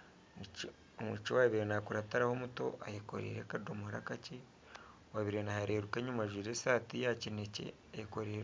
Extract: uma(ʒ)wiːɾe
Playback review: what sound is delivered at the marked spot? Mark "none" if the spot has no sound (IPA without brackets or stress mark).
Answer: ʒ